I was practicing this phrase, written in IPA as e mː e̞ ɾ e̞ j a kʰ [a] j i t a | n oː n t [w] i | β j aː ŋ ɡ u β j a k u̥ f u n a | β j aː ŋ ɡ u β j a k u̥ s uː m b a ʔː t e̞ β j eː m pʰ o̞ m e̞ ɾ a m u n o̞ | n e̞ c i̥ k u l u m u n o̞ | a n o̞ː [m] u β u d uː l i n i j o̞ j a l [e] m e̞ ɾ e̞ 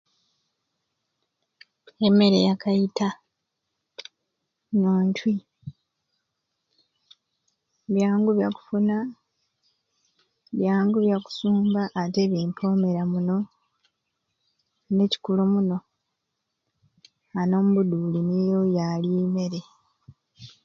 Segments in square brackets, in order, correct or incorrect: correct, correct, correct, incorrect: i

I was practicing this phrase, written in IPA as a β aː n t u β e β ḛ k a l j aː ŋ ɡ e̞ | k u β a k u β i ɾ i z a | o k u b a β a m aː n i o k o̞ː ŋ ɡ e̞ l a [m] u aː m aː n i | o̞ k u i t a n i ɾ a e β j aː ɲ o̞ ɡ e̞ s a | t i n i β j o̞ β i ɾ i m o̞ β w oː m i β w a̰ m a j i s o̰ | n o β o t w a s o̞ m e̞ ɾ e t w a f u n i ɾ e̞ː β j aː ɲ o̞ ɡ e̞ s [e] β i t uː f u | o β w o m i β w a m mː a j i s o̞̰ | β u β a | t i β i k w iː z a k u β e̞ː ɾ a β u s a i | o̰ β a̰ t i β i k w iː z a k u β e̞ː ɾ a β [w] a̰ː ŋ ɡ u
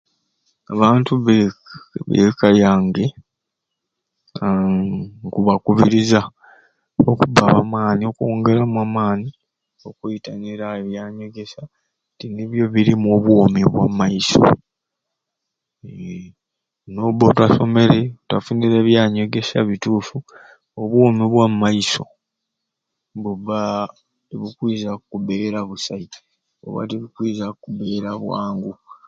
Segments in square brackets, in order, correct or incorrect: correct, incorrect: a, correct

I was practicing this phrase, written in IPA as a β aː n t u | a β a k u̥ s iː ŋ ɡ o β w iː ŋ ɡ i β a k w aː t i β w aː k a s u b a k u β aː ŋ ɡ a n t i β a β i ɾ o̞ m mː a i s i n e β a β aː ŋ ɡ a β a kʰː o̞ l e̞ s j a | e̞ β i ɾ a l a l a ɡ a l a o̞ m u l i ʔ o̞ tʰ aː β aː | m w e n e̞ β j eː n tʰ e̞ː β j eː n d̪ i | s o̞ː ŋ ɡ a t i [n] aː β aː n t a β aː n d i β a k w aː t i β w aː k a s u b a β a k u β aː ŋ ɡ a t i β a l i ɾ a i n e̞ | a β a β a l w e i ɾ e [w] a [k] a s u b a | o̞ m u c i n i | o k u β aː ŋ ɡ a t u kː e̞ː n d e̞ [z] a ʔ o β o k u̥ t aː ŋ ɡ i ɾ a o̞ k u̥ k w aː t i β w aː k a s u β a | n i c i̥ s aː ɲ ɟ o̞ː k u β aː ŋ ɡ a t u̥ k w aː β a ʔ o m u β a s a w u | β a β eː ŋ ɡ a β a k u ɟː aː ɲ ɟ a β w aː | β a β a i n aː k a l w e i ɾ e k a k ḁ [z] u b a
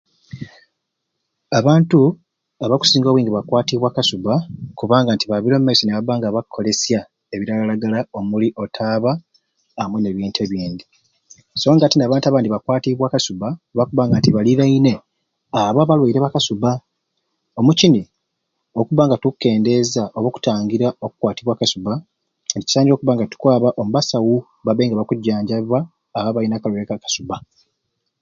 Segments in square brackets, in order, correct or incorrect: correct, incorrect: β, correct, correct, incorrect: s

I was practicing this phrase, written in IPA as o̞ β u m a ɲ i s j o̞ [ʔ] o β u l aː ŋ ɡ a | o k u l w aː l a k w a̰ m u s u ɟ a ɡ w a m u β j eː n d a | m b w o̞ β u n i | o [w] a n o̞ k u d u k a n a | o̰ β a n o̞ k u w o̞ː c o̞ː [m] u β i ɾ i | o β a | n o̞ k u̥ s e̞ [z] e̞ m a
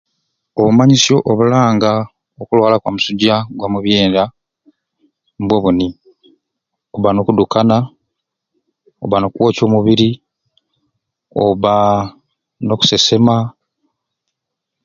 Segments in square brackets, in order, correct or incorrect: correct, incorrect: β, correct, incorrect: s

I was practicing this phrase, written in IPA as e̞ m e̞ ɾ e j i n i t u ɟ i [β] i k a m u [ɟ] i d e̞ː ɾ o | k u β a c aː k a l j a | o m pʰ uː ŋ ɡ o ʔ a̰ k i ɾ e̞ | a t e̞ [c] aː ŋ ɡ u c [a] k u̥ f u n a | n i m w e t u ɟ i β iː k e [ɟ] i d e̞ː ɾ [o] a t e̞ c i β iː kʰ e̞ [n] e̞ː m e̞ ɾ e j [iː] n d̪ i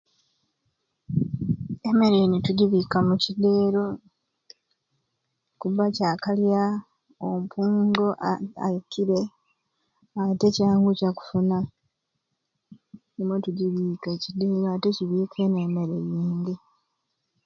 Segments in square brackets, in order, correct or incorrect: correct, incorrect: c, correct, correct, incorrect: c, correct, correct, correct

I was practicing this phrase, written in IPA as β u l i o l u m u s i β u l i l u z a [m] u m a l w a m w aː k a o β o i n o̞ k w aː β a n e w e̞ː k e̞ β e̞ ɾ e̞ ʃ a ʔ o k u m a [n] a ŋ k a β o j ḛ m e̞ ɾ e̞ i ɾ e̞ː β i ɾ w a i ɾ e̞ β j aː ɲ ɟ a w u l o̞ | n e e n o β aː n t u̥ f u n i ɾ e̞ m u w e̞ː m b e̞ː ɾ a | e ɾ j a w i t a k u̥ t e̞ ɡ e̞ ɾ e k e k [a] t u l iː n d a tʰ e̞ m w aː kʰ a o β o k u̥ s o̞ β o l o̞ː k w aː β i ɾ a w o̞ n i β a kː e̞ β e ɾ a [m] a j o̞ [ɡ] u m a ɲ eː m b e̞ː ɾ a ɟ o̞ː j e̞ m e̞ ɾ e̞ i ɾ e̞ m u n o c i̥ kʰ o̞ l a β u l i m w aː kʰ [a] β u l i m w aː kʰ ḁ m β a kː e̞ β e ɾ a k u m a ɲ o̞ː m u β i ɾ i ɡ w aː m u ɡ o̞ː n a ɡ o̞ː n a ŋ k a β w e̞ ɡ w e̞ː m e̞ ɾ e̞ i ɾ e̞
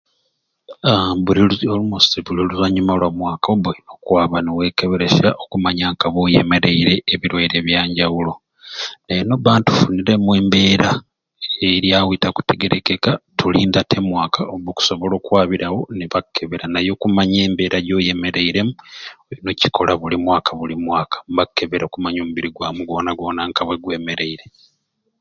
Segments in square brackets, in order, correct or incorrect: incorrect: ɲ, incorrect: ɲ, correct, incorrect: n, incorrect: k, correct

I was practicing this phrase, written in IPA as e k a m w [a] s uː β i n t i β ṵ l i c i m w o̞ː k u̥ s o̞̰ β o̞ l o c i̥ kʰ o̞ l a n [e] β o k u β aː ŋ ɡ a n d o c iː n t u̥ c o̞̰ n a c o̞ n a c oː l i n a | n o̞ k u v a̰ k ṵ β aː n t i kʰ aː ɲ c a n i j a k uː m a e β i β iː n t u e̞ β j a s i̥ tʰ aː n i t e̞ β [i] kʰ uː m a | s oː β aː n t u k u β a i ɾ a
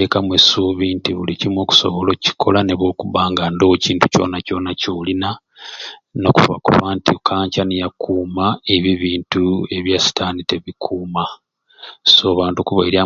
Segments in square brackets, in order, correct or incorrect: incorrect: e, correct, correct

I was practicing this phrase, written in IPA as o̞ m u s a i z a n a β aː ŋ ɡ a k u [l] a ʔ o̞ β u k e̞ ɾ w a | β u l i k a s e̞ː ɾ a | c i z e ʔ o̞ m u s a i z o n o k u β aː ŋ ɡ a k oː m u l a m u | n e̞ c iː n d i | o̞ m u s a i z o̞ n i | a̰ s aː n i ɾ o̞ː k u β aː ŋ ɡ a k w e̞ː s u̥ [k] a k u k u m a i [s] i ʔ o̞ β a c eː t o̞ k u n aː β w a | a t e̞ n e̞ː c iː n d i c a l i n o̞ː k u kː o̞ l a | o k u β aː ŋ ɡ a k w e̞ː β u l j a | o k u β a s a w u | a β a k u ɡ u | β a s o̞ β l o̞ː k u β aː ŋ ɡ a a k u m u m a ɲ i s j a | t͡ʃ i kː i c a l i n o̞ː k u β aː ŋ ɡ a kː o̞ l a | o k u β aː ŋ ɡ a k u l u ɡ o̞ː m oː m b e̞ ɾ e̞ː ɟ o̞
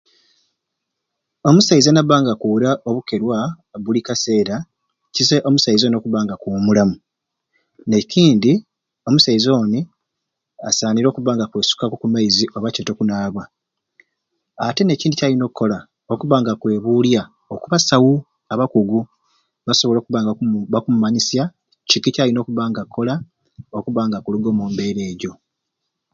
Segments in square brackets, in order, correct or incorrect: incorrect: ɾ, correct, incorrect: z

